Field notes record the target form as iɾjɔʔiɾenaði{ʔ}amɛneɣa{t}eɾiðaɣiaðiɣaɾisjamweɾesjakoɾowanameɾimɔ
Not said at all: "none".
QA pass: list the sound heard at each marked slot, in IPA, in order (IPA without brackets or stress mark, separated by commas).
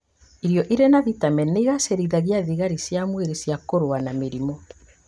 t, s